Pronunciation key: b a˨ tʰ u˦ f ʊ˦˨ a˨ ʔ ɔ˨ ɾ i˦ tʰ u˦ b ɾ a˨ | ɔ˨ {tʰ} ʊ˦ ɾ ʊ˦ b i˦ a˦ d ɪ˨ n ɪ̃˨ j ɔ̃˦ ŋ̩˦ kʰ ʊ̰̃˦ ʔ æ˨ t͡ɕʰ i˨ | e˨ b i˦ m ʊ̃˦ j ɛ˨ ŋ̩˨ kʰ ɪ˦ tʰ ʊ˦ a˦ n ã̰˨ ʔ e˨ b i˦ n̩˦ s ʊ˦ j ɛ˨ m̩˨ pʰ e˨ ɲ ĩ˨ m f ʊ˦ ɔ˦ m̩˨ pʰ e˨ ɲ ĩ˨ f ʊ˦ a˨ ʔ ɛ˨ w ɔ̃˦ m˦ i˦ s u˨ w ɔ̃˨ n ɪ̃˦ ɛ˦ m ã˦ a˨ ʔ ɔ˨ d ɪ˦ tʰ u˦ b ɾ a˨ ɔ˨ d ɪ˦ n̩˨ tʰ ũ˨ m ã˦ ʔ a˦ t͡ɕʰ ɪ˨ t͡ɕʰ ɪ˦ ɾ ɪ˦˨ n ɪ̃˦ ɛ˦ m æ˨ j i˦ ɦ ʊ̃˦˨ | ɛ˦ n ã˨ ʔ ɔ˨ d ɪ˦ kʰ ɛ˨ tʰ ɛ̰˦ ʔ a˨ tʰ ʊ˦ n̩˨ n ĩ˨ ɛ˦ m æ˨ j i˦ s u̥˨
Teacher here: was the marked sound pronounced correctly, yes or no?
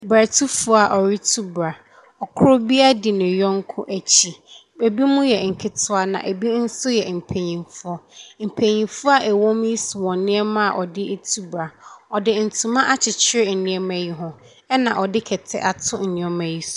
no